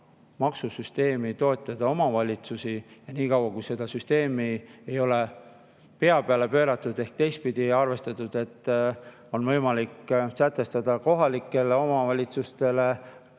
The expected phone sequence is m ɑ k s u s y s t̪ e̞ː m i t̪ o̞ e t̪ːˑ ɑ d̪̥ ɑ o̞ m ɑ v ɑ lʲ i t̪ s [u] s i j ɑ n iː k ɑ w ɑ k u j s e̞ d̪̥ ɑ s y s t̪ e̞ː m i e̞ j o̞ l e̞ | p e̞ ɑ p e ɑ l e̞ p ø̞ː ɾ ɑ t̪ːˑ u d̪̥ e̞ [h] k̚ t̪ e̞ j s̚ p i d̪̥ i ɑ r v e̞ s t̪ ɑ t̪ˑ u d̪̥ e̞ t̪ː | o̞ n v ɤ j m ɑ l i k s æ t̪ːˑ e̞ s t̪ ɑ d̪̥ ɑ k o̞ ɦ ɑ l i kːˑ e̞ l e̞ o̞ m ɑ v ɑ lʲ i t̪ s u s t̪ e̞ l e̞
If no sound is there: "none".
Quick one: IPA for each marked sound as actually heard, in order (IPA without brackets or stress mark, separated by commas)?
u, h